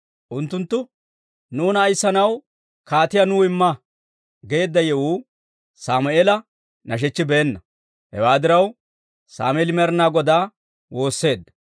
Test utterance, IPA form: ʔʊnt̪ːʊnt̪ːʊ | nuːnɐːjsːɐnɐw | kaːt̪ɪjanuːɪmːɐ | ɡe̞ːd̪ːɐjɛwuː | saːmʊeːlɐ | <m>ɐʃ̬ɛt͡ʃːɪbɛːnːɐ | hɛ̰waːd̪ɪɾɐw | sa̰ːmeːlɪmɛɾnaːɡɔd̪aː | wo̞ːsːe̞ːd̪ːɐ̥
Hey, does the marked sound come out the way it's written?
no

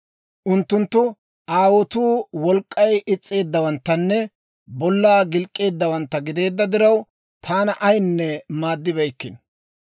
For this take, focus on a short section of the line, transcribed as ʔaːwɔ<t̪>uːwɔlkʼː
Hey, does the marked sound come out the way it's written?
yes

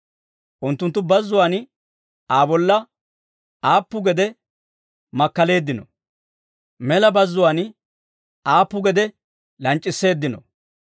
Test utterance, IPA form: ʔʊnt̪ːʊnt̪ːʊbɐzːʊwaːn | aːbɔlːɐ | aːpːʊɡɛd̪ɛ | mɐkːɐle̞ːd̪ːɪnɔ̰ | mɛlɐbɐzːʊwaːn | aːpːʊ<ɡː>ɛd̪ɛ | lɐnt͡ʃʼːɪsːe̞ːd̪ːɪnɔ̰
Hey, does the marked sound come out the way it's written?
no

